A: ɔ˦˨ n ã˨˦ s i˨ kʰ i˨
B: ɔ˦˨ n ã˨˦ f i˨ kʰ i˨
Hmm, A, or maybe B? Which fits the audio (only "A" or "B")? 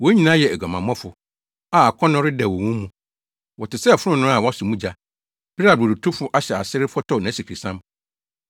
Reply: A